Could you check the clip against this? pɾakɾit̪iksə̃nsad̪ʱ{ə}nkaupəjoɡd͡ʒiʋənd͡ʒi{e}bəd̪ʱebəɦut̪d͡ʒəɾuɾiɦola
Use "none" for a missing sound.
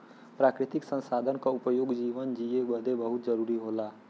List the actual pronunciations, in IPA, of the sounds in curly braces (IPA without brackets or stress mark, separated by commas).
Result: ə, e